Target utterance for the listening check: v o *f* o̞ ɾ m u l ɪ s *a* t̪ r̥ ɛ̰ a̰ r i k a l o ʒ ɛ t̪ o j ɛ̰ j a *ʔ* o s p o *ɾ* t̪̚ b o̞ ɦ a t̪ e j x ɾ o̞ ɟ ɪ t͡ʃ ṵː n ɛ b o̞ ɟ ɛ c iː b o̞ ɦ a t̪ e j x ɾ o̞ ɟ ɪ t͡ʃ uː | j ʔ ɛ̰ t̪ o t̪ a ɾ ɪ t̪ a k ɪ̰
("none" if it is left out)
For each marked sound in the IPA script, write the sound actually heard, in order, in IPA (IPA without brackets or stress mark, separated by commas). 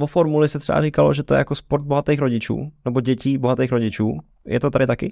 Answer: f, ɛ, k, ɾ